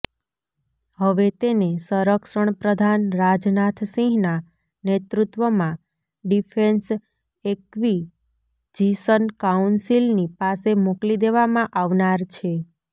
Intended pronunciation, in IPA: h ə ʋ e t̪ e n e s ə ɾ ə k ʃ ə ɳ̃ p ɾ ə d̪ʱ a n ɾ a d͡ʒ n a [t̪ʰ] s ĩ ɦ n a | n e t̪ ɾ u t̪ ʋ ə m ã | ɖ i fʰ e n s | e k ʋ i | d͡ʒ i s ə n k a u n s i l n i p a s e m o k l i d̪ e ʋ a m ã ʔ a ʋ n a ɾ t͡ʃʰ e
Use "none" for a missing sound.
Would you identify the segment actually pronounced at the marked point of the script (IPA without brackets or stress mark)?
t̪ʰ